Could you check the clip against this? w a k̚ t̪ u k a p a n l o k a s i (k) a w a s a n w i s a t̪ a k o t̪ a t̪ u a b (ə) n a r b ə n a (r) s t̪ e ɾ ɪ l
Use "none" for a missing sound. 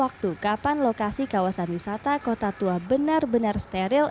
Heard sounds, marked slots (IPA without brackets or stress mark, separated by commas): k, ə, r